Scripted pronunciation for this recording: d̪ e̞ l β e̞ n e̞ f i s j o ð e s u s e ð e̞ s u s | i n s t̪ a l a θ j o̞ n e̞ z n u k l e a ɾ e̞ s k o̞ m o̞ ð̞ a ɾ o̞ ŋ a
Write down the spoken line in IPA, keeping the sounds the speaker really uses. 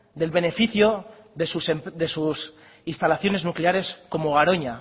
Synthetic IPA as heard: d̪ e̞ l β e̞ n e̞ f i θ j o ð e s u s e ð e̞ s u s | i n s t̪ a l a θ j o̞ n e̞ z n u k l e a ɾ e̞ s k o̞ m o̞ ɣ̞ a ɾ o̞ ɲ a